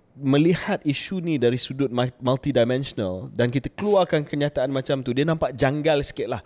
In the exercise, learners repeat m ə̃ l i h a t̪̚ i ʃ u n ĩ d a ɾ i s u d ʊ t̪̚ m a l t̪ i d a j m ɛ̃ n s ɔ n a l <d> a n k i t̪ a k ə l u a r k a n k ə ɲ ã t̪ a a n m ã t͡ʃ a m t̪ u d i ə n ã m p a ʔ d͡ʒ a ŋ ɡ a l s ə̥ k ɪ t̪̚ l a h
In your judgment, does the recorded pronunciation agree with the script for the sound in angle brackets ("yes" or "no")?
yes